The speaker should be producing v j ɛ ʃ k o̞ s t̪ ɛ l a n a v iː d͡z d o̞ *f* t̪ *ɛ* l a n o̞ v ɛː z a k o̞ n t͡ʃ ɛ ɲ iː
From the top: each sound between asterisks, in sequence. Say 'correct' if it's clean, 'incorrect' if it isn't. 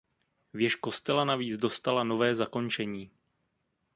incorrect, incorrect

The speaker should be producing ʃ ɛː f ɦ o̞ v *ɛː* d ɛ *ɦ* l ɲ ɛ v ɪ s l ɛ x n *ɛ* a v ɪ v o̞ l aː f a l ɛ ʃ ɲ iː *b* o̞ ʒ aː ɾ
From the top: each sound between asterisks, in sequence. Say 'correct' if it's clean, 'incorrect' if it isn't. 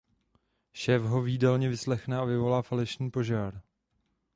incorrect, incorrect, correct, incorrect

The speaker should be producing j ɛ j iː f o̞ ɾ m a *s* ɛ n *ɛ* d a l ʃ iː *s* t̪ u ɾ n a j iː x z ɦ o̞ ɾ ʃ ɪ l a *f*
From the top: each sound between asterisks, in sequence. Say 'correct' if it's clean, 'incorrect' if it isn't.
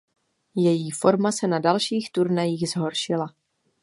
correct, incorrect, incorrect, incorrect

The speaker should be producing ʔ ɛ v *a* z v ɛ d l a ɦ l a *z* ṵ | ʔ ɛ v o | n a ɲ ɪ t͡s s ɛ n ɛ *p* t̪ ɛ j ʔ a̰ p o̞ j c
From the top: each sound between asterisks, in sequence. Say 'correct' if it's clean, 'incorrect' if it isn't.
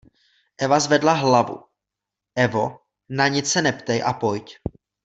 correct, incorrect, correct

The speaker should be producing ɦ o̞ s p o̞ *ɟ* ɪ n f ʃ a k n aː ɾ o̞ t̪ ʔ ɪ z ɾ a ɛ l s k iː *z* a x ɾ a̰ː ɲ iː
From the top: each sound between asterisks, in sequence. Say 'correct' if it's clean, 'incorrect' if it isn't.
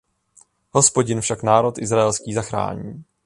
correct, correct

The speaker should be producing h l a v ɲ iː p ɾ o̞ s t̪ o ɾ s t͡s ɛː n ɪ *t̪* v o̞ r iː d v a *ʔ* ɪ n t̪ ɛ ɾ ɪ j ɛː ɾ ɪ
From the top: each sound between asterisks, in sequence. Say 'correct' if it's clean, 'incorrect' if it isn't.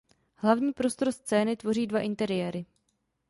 correct, correct

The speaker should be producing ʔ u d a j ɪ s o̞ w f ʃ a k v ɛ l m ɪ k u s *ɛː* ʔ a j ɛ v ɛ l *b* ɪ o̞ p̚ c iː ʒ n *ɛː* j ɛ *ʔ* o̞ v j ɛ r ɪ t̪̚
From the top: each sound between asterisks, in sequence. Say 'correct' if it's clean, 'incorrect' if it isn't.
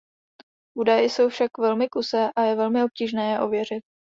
correct, incorrect, correct, correct

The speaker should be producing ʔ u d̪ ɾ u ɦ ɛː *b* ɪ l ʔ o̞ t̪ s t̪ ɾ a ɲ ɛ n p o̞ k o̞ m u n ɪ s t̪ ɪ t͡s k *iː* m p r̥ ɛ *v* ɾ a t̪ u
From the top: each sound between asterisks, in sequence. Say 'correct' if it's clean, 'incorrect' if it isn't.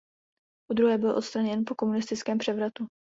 correct, incorrect, correct

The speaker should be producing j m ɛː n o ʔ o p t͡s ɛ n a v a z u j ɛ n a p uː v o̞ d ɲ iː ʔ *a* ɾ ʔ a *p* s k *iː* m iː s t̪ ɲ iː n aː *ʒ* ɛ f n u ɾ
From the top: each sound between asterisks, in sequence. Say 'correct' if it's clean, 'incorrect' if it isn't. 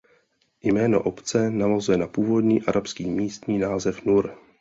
correct, correct, correct, incorrect

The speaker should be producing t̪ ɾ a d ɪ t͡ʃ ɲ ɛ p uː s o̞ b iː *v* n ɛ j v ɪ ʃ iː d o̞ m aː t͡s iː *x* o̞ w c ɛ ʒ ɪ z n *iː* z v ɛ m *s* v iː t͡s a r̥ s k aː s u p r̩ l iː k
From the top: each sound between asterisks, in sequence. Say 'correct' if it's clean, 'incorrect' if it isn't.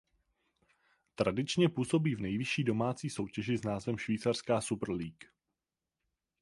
correct, incorrect, incorrect, incorrect

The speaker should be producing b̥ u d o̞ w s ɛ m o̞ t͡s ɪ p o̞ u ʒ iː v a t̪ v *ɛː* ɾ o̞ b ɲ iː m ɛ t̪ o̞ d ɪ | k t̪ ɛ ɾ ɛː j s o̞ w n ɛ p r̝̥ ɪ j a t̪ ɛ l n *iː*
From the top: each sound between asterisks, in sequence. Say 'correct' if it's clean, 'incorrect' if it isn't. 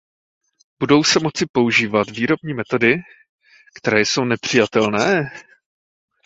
incorrect, incorrect

